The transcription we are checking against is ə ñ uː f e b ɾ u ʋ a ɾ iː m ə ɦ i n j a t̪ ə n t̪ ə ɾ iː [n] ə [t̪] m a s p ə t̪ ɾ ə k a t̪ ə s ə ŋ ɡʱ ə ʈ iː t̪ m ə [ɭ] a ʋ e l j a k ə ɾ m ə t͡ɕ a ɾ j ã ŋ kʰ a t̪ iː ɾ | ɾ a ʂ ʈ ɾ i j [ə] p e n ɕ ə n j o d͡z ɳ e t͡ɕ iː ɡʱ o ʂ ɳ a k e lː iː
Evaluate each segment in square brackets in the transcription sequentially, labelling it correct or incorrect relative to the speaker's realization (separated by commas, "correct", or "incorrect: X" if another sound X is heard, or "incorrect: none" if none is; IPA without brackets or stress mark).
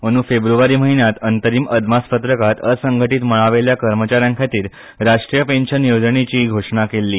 incorrect: m, incorrect: d̪, correct, correct